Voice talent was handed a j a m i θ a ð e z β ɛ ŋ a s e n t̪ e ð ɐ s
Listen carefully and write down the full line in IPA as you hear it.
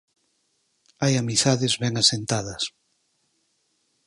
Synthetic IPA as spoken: a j a m i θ a ð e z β ɛ ŋ a s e n t̪ a ð ɐ s